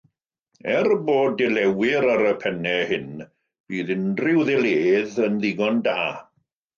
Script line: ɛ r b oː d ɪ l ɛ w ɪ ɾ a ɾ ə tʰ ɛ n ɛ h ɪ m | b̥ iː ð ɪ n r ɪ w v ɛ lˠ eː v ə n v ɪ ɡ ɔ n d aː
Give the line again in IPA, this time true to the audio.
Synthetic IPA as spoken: ɛ r b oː d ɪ l ɛ w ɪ ɾ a ɾ ə pʰ ɛ n ɛ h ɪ n | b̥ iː ð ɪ n r ɪ w ð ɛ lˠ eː ð ə n ð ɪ ɡ ɔ n d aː